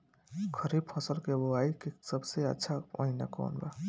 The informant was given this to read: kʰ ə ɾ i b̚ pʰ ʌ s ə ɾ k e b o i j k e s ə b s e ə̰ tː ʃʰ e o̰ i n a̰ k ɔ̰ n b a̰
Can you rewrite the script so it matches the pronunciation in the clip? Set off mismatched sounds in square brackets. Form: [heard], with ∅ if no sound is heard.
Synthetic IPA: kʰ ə ɾ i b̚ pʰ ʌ s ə [l] k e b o [a] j k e s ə b s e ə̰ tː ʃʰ [a] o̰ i n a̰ k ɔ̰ n b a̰